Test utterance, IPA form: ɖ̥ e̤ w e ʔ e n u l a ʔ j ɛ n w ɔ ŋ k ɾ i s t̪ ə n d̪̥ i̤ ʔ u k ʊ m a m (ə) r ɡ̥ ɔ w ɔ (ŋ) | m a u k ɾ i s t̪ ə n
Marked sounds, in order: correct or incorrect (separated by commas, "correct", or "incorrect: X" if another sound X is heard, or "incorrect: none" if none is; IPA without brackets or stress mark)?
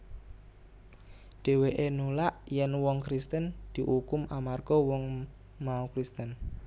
incorrect: a, correct